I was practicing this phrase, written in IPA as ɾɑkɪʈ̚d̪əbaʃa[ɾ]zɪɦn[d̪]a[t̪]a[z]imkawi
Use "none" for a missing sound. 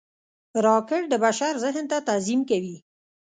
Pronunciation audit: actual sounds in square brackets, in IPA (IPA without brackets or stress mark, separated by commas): ɾ, t̪, t̪, z